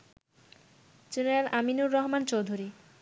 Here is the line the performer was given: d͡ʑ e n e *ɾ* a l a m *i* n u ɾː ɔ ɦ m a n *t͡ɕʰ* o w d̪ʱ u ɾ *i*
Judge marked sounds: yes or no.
yes, yes, no, yes

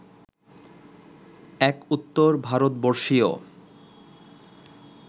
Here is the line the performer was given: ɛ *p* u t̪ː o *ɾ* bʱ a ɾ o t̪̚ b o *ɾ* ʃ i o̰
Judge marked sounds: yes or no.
no, yes, yes

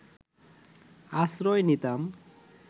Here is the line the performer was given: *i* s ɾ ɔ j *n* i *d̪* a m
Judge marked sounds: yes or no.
no, yes, no

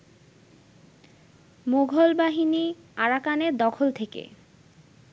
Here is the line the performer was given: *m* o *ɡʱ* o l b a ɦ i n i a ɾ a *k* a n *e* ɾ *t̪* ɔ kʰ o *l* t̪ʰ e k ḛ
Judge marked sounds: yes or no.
yes, yes, yes, yes, no, yes

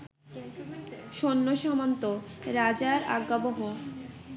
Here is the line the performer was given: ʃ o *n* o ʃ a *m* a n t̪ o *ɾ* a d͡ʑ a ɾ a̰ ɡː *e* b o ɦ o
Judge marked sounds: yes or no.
no, yes, yes, no

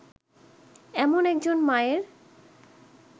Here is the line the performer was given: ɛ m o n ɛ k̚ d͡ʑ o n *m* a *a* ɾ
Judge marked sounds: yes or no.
yes, no

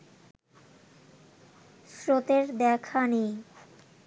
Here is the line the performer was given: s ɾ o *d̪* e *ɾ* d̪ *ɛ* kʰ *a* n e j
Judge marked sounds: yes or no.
no, yes, yes, yes

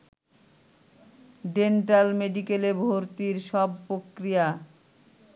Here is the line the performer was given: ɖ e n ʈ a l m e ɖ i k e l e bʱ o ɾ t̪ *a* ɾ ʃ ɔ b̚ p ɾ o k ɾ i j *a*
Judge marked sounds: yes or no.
no, yes

